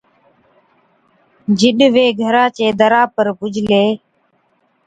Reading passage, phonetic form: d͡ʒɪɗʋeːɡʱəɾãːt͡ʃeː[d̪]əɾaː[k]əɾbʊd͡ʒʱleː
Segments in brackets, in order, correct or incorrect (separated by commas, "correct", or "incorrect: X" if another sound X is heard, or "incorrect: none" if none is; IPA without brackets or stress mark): correct, incorrect: p